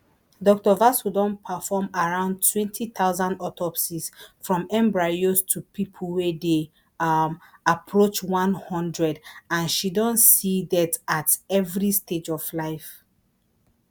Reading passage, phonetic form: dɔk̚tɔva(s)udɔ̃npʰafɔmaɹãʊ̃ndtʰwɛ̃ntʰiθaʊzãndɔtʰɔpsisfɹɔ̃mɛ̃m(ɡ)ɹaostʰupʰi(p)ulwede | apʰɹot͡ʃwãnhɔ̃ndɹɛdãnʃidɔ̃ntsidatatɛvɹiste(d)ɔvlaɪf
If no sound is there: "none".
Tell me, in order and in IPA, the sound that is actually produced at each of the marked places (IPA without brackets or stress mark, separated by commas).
s, b, pʰ, d͡ʒ